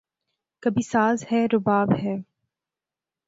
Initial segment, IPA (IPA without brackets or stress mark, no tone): k